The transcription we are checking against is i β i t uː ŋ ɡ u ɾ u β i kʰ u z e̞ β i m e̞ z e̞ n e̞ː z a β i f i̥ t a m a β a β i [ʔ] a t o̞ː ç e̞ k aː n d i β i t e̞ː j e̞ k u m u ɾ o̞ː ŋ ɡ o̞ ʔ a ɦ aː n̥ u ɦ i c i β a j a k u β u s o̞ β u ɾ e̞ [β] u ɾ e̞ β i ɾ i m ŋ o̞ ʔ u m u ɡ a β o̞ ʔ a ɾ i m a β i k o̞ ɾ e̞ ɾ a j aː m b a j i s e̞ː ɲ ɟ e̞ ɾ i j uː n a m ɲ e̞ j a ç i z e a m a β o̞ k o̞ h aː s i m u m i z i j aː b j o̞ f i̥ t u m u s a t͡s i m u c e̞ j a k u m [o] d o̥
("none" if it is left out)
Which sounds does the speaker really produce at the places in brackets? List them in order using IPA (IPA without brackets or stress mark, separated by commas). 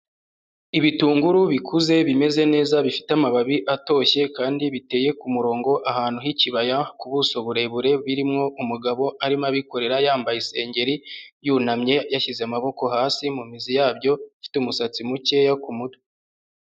ʔ, β, u